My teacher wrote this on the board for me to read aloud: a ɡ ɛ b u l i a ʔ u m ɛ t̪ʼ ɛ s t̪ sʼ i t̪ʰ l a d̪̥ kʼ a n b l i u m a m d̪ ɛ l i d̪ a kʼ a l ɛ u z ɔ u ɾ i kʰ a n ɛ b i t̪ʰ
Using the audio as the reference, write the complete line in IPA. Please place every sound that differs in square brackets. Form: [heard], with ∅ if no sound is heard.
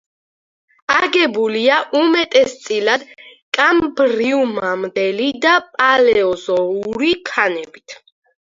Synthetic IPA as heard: a ɡ ɛ b u l i a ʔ u m ɛ t̪ʼ ɛ s t̪ sʼ i [∅] l a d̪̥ kʼ a [m] b [ɾ] i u m a m d̪ ɛ l i d̪ a [pʼ] a l ɛ [ɔ] z ɔ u ɾ i kʰ a n ɛ b i t̪ʰ